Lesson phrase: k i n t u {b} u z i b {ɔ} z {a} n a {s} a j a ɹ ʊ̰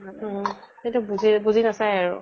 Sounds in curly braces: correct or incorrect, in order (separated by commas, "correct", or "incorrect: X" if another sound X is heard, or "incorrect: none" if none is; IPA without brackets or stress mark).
correct, incorrect: u, incorrect: i, correct